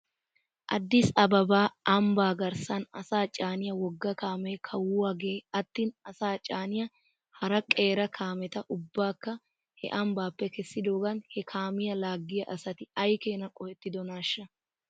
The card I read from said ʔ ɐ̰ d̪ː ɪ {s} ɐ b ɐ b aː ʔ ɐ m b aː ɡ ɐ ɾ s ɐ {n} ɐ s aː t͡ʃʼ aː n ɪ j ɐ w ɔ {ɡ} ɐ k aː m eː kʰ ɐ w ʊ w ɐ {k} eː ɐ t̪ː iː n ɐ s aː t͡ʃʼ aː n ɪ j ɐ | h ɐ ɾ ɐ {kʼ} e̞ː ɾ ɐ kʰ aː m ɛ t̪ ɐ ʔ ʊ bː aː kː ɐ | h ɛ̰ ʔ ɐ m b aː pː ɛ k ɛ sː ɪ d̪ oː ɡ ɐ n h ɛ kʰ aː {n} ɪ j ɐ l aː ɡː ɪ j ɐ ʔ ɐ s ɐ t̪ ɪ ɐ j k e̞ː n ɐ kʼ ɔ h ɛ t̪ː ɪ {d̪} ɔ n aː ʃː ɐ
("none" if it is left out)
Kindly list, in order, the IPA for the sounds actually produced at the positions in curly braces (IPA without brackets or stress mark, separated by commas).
s, n, ɡː, ɡ, kʼ, m, d̪